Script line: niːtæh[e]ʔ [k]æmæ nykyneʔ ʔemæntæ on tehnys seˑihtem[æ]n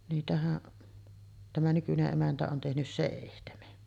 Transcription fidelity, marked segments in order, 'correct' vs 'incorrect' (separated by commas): incorrect, incorrect, incorrect